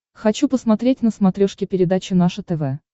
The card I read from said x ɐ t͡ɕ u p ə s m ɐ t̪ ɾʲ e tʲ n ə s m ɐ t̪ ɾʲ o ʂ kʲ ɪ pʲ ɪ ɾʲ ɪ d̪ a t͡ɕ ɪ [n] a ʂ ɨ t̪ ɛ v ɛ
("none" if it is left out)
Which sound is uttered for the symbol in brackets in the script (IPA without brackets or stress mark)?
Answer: n